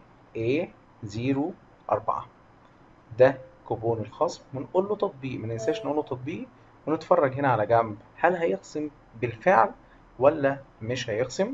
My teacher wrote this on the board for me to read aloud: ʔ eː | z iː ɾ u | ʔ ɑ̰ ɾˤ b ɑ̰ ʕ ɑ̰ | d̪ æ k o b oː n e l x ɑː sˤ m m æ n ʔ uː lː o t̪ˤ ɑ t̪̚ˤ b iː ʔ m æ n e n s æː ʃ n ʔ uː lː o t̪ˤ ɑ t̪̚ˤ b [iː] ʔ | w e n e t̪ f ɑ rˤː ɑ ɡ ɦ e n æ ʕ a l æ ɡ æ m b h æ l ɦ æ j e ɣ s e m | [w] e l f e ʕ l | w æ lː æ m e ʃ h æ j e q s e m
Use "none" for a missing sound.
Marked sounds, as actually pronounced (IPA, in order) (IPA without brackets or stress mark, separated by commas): iː, b